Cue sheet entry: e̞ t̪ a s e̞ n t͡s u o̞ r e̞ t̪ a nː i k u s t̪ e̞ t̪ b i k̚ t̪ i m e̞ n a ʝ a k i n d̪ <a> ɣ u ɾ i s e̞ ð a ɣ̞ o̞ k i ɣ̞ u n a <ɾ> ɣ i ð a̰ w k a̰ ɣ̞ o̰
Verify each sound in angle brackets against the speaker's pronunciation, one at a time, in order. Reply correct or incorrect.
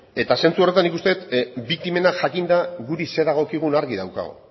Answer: correct, correct

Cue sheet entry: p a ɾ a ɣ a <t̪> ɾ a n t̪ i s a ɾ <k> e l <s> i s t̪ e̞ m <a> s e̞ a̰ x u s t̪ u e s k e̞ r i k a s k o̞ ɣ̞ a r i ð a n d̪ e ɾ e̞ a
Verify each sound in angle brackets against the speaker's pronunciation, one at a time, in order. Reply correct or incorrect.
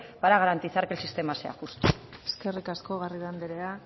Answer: incorrect: none, correct, correct, correct

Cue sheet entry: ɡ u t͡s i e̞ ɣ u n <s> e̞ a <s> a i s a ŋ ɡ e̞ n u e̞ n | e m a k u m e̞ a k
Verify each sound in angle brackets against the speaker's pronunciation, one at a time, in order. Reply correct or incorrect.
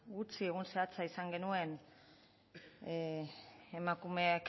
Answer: correct, incorrect: t͡s

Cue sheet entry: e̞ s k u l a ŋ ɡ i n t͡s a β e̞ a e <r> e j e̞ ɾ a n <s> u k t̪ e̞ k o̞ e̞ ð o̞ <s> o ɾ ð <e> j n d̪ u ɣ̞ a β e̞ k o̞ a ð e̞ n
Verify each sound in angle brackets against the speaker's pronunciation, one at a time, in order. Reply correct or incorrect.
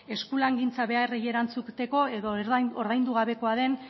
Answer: correct, incorrect: t͡s, incorrect: none, incorrect: a

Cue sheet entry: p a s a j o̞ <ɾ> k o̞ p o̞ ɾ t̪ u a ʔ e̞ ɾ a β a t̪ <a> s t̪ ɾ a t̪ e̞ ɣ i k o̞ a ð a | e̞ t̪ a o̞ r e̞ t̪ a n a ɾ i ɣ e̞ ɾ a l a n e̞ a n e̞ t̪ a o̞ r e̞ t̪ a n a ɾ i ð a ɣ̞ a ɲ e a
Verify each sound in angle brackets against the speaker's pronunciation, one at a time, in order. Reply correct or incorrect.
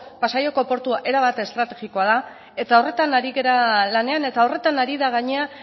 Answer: incorrect: none, incorrect: e

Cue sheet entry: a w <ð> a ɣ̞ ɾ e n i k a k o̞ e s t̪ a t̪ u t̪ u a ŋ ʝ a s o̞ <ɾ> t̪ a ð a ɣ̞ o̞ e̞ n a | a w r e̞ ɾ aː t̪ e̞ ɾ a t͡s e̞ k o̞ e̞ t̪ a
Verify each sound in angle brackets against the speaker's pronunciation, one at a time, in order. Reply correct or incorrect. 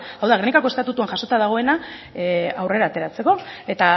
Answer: correct, incorrect: none

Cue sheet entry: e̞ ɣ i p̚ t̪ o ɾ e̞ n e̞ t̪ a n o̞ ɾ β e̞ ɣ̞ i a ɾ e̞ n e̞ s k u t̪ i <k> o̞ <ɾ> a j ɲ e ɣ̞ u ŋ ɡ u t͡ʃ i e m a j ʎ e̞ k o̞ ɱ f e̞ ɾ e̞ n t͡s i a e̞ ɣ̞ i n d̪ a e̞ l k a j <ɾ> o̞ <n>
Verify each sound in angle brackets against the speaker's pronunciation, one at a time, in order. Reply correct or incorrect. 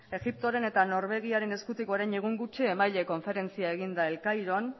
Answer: correct, correct, correct, correct

